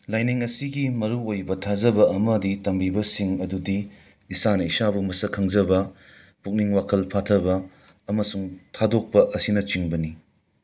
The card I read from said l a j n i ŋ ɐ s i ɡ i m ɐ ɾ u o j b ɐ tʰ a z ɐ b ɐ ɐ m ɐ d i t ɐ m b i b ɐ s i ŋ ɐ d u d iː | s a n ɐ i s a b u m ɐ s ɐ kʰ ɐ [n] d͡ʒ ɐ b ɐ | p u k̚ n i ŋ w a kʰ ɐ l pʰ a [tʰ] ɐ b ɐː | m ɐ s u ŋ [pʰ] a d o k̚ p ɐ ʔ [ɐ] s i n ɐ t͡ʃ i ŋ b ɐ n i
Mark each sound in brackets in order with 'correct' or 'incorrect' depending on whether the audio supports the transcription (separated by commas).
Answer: incorrect, correct, incorrect, correct